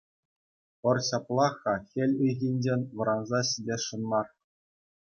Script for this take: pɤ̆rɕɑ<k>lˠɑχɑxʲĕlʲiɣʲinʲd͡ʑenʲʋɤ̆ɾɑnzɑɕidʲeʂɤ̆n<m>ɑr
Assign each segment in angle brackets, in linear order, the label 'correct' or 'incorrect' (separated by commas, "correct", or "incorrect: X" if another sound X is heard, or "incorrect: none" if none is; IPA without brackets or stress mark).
incorrect: p, correct